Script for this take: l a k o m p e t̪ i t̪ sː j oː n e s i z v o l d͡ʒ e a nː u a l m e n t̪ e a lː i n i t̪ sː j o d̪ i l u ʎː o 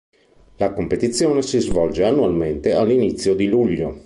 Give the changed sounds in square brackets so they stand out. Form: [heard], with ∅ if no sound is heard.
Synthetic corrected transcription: l a k o m p e t̪ i t̪ sː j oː n e s i z v [ɔ] l d͡ʒ e a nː u a l m e n t̪ e a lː i n i t̪ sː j o d̪ i l u ʎː o